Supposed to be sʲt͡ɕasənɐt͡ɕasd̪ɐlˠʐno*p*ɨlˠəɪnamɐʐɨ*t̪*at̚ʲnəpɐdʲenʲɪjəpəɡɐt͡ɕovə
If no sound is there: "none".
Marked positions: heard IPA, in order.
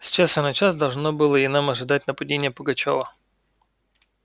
b, d̪

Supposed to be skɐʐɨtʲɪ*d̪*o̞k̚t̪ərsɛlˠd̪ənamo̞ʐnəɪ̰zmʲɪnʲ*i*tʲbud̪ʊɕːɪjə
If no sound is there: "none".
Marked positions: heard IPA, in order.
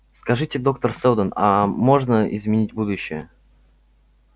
d̪, i

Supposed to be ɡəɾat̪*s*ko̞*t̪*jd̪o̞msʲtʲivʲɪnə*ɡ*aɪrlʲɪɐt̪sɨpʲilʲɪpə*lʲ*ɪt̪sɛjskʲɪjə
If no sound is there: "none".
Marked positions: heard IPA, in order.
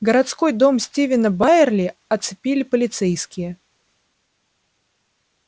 s, none, b, lʲ

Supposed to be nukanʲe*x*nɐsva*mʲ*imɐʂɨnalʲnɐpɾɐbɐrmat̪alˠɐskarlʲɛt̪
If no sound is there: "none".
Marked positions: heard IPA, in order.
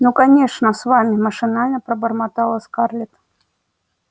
ʂ, mʲ

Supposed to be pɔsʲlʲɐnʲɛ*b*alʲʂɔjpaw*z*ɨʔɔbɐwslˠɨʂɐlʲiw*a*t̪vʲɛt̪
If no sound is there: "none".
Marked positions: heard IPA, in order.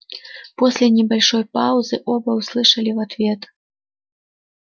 b, z, a

